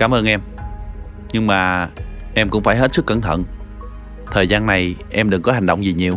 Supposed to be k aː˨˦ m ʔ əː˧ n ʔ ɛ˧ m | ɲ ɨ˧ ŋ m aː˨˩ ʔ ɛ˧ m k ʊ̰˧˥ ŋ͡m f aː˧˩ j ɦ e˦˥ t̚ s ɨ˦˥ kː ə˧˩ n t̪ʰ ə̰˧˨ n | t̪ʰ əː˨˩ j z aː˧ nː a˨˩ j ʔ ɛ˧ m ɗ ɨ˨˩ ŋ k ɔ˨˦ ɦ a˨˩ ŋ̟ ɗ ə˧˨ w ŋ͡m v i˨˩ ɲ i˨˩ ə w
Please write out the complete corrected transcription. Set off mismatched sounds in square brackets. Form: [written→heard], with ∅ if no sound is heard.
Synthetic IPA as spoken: k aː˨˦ m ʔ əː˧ n ʔ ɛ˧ m | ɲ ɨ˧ ŋ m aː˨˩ ʔ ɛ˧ m k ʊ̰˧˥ ŋ͡m f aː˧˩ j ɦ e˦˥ t̚ s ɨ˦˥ kː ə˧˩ n t̪ʰ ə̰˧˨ n | t̪ʰ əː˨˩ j z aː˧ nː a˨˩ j ʔ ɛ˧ m ɗ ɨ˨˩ ŋ k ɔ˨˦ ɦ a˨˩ ŋ̟ ɗ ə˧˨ w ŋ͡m [v→z] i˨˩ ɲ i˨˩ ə w